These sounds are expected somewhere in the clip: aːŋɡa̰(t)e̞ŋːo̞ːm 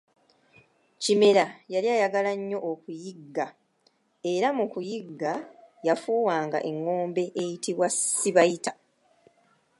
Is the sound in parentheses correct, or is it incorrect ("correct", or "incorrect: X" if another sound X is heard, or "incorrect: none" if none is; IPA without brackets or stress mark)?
incorrect: ʔ